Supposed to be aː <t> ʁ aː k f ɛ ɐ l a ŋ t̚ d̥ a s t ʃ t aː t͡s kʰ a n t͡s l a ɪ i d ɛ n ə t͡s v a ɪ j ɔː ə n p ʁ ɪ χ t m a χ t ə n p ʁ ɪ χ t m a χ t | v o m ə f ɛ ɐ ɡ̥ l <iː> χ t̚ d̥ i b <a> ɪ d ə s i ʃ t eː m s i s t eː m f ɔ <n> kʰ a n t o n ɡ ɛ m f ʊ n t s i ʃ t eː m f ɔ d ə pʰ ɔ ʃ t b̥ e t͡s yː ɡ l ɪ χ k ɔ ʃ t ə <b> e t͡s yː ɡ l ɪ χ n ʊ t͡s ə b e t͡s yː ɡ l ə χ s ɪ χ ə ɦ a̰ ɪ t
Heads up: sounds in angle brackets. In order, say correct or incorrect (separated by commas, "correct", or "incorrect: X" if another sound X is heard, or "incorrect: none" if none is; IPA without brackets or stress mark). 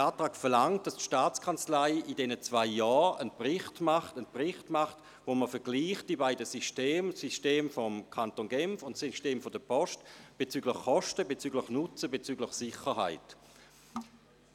correct, correct, correct, incorrect: m, correct